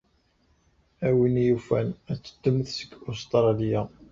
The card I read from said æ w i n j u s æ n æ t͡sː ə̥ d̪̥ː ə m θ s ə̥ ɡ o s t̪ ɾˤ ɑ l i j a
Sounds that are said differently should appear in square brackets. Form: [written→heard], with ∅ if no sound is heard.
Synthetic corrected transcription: æ w i n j u [s→f] æ n æ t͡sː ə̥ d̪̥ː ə m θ s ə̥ ɡ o s t̪ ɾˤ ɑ l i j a